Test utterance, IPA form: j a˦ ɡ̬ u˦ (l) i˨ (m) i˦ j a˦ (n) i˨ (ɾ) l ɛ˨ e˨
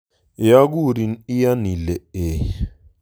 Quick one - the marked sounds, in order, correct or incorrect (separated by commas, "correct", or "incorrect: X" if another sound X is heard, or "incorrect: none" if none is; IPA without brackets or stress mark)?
incorrect: ɾ, incorrect: n, correct, incorrect: none